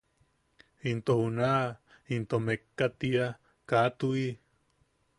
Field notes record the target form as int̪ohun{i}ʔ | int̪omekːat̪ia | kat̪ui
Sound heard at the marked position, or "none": a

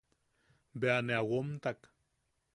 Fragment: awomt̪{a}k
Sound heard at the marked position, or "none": a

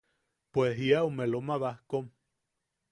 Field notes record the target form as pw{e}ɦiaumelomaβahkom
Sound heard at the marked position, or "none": e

